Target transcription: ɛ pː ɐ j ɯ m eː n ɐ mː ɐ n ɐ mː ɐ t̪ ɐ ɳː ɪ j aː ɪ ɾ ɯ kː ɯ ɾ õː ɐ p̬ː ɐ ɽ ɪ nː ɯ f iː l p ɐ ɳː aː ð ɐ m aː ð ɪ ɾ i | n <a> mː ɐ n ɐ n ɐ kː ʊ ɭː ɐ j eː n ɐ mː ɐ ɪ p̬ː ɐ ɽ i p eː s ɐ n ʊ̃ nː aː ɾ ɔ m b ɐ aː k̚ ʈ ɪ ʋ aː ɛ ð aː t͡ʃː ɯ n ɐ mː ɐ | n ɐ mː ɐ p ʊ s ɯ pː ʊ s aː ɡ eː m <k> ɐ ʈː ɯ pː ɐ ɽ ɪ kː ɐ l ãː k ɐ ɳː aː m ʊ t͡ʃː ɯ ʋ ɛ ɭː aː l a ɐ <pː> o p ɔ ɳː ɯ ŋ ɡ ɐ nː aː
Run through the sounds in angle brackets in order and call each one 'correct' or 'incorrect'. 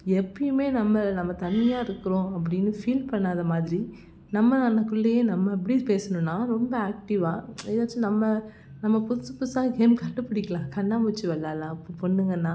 incorrect, correct, correct

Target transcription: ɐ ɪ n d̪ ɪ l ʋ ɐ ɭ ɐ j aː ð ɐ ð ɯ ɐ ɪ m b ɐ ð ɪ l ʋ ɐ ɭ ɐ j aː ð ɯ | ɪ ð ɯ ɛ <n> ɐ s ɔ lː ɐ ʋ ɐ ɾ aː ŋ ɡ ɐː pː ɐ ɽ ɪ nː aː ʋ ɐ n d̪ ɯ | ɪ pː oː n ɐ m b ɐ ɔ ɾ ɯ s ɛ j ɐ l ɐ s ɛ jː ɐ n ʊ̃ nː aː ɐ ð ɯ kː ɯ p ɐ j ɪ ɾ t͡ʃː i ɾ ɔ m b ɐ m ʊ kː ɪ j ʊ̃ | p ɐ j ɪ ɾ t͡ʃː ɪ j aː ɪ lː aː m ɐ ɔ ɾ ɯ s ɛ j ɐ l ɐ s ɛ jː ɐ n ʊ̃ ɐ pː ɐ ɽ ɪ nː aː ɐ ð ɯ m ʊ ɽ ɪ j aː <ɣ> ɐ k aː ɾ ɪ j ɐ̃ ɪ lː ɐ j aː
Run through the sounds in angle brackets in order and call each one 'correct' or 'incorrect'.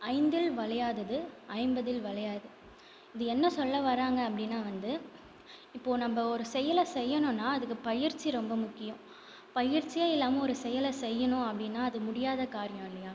incorrect, incorrect

